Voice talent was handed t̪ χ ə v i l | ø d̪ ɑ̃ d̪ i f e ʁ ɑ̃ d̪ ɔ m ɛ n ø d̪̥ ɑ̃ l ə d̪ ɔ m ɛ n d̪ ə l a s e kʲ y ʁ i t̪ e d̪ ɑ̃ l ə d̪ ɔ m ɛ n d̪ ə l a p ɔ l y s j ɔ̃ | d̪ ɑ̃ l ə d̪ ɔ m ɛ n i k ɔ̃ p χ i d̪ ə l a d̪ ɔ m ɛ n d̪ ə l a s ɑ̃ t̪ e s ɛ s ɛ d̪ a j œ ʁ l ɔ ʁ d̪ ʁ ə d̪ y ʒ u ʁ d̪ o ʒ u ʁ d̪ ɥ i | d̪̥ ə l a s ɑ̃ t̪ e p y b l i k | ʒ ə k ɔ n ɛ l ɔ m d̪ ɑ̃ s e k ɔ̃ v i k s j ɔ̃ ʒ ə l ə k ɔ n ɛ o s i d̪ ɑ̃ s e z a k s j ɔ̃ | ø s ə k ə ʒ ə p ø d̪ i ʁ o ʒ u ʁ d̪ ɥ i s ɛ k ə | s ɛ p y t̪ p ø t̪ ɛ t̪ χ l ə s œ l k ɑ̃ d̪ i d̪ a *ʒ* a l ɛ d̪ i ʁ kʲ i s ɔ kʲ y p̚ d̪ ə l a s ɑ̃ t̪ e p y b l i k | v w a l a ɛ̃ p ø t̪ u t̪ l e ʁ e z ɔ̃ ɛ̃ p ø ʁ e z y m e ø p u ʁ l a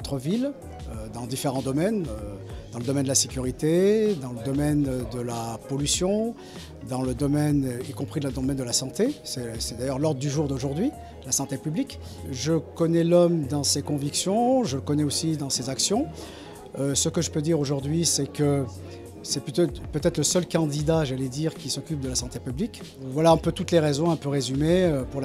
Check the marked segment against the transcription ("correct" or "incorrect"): correct